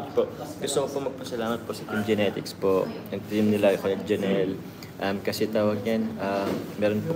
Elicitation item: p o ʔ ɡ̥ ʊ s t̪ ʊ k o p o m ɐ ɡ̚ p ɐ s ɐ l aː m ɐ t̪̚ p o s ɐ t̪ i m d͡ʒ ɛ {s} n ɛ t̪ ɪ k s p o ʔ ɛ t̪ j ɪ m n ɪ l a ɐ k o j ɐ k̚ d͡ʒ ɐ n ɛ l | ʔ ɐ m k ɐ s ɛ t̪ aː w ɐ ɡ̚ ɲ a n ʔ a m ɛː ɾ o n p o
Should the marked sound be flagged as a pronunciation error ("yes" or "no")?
yes